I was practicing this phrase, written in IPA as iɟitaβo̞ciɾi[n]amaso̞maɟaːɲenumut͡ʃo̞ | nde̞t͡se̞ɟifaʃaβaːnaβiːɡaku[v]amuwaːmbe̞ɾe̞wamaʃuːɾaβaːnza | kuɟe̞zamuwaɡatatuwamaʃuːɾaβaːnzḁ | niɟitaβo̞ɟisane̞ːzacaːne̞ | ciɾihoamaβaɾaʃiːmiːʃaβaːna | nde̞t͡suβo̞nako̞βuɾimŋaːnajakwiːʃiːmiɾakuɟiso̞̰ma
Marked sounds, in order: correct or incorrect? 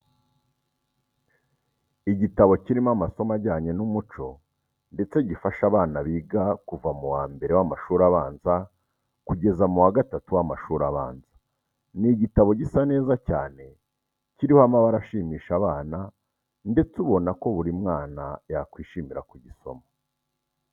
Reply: incorrect: m, correct

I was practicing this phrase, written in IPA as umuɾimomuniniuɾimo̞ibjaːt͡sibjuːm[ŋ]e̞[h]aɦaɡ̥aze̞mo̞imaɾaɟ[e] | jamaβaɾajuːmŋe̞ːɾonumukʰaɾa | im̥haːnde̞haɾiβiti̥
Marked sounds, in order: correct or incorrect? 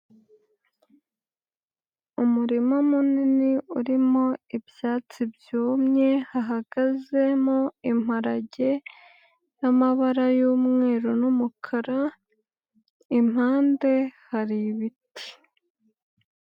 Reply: incorrect: ɲ, correct, correct

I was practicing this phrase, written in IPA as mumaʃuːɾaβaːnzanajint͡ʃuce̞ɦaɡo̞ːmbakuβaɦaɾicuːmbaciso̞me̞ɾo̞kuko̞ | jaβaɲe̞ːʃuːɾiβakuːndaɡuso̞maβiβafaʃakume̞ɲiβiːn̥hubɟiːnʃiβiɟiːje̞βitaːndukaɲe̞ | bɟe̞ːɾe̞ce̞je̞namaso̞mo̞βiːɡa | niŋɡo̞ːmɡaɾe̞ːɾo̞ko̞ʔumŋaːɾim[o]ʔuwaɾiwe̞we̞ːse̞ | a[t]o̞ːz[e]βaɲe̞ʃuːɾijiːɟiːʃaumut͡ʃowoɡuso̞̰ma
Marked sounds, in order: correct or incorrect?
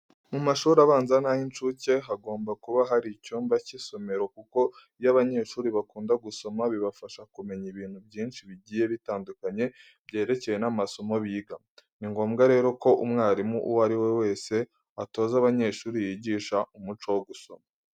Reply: incorrect: u, correct, incorrect: a

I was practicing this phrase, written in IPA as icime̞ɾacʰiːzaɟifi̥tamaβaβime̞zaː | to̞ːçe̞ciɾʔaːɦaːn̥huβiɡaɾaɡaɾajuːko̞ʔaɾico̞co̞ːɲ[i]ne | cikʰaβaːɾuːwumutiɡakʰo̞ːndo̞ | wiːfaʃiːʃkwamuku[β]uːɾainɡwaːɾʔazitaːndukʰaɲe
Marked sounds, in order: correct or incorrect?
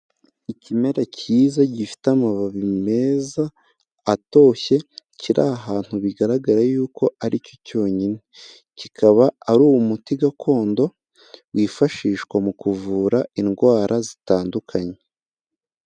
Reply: correct, incorrect: v

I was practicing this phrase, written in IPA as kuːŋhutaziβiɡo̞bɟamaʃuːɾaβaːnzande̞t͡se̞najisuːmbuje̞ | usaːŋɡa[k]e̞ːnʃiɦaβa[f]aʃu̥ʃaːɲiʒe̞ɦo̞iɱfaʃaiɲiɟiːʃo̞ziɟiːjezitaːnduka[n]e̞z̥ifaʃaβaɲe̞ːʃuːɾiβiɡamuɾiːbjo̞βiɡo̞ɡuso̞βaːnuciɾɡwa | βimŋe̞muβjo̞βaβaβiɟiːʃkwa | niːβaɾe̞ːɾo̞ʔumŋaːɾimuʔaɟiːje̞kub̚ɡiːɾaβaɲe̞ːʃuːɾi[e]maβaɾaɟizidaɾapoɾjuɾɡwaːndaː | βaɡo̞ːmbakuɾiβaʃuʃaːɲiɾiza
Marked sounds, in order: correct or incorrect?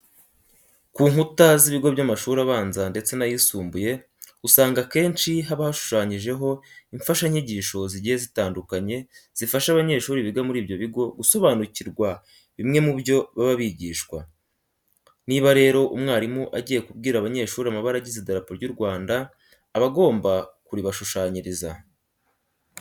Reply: correct, incorrect: h, incorrect: ɲ, incorrect: a

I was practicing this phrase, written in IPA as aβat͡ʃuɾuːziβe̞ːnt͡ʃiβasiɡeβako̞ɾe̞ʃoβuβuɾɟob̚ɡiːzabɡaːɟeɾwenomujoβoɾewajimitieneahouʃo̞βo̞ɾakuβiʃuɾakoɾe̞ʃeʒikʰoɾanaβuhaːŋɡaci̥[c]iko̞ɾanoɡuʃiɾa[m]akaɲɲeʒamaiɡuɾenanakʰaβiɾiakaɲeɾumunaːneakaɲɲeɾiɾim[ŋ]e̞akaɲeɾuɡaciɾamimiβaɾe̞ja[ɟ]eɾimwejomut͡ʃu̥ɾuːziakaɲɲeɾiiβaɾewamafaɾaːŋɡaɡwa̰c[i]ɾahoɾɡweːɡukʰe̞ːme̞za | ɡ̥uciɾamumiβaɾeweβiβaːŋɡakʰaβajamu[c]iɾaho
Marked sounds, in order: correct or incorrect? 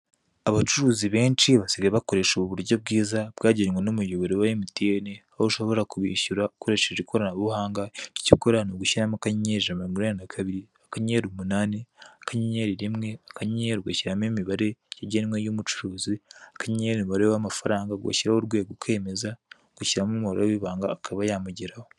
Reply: correct, correct, correct, correct, correct, incorrect: ɟ

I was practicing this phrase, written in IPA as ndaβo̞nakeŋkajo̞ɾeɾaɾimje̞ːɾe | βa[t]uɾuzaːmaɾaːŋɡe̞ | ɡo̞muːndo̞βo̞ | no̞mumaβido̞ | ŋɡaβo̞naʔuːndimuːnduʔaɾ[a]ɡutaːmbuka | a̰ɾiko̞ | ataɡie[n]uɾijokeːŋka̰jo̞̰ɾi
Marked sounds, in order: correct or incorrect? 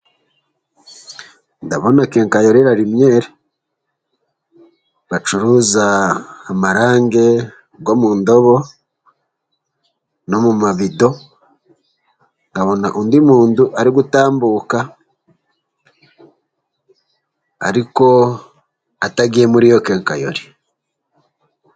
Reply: incorrect: t͡ʃ, incorrect: i, incorrect: m

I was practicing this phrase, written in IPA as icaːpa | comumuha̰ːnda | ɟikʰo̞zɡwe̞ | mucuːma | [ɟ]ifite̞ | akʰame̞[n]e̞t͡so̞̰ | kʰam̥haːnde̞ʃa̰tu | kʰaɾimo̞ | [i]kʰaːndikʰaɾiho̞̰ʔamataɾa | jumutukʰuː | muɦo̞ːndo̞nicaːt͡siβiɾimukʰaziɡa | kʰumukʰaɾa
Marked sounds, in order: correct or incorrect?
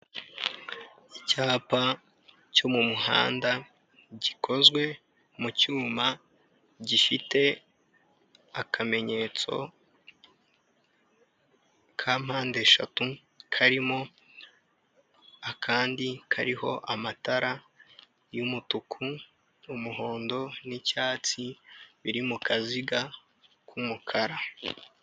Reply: correct, incorrect: ɲ, incorrect: a

